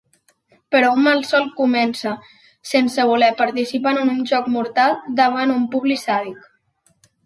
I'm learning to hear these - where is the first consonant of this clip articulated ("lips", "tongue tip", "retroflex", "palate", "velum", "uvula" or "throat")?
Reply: lips